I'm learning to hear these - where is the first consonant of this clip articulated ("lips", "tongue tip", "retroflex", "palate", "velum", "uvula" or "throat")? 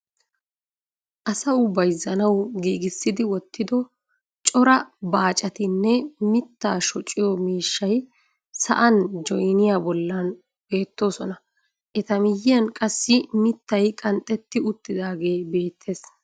throat